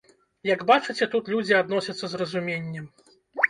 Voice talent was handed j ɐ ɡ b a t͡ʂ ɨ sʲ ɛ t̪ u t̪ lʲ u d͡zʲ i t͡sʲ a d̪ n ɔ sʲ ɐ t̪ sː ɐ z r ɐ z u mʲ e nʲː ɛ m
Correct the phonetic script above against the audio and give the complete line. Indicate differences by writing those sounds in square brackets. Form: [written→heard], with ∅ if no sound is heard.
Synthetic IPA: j ɐ ɡ b a t͡ʂ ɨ [sʲ→t͡sʲ] ɛ t̪ u t̪ lʲ u d͡zʲ i [t͡sʲ→∅] a d̪ n ɔ sʲ ɐ t̪ sː ɐ z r ɐ z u mʲ e nʲː ɛ m